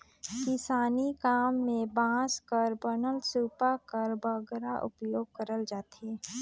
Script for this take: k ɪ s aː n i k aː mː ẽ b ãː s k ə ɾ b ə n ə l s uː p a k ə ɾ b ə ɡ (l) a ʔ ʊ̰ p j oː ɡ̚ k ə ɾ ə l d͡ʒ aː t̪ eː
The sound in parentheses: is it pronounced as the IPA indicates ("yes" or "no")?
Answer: no